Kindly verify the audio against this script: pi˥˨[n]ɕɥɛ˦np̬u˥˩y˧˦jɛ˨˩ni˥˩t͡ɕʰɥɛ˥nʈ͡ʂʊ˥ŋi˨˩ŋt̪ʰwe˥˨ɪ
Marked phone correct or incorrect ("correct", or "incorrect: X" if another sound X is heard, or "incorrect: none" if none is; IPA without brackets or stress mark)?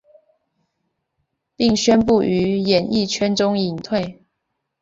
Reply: incorrect: ŋ